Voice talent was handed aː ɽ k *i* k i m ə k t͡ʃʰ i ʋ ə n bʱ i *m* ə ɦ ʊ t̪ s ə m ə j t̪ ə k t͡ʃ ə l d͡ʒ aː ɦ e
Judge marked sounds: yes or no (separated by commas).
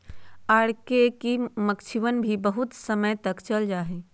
no, no